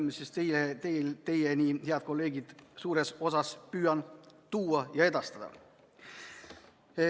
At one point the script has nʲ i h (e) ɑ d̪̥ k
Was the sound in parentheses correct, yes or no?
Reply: yes